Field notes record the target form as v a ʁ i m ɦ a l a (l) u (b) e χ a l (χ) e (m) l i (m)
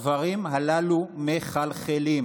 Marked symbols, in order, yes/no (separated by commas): yes, no, yes, no, yes